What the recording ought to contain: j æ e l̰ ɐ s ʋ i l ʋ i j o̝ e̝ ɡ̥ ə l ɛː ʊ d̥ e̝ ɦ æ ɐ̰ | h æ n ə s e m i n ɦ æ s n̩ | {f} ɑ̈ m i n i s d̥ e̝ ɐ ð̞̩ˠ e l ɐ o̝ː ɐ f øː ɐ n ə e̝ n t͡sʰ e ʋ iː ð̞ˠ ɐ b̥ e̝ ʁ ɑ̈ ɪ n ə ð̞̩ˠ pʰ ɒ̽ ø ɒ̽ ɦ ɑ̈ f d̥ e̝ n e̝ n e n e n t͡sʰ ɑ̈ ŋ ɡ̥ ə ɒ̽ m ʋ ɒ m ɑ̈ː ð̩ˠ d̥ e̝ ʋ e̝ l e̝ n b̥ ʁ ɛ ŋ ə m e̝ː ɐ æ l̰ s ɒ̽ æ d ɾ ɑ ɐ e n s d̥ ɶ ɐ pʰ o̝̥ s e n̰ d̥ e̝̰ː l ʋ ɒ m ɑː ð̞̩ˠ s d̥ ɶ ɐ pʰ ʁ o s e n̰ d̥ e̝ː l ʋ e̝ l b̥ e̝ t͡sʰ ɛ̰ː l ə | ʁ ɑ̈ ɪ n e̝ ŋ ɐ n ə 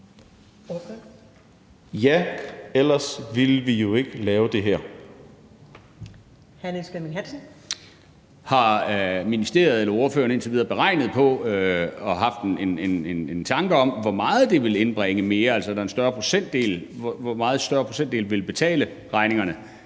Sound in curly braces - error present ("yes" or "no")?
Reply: yes